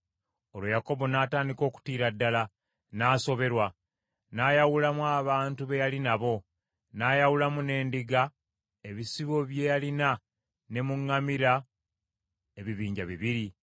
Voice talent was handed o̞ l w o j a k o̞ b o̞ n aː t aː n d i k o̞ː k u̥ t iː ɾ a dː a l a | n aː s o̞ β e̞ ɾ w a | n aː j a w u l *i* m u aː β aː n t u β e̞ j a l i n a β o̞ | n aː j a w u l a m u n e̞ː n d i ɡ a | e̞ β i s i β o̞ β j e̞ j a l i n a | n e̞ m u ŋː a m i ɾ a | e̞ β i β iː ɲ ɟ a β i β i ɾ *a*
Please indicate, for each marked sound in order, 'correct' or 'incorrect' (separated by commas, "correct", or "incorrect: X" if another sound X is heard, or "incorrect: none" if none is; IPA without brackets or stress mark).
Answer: incorrect: a, incorrect: i